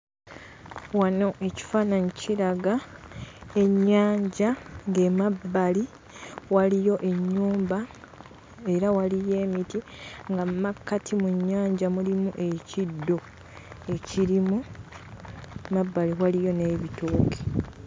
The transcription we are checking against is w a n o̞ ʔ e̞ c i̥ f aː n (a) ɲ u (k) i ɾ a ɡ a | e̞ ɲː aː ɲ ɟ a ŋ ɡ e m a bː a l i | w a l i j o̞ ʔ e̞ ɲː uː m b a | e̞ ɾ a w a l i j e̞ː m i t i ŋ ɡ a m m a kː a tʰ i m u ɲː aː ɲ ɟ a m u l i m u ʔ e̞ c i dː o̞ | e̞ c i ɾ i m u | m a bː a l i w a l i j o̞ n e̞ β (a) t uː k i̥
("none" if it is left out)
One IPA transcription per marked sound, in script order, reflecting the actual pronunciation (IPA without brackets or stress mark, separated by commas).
a, c, i